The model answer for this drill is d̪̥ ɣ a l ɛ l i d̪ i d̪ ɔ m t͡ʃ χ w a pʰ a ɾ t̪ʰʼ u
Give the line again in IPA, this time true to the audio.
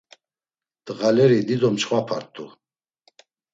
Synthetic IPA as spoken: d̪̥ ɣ a l ɛ ɾ i d̪ i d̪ ɔ m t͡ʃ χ w a pʰ a ɾ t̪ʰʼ u